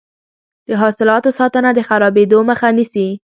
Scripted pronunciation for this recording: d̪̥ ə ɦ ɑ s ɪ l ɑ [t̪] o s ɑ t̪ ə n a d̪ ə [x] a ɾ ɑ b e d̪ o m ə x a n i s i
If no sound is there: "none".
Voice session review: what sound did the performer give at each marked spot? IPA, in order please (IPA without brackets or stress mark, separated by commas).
t̪, x